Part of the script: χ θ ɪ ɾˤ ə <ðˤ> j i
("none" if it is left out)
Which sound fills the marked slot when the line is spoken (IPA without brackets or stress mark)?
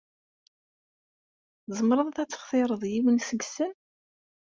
ðˤ